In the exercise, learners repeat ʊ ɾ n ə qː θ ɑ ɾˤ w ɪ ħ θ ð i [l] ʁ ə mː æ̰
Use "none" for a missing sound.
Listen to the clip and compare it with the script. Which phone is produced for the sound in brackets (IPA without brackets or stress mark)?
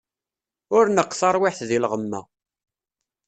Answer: l